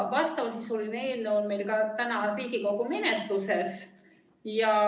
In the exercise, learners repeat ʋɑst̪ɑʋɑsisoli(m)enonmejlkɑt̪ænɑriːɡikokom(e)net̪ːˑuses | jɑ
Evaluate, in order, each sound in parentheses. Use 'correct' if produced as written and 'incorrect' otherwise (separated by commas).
incorrect, correct